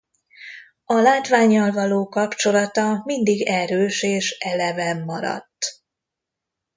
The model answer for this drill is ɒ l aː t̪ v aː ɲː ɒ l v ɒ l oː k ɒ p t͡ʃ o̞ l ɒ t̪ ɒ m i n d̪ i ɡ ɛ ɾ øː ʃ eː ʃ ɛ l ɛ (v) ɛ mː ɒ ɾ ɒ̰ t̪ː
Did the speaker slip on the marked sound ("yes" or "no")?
no